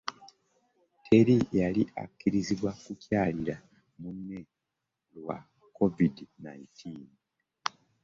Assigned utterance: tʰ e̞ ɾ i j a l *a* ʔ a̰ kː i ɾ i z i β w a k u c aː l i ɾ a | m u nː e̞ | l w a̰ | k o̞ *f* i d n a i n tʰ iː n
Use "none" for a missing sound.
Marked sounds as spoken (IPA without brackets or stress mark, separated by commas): i, v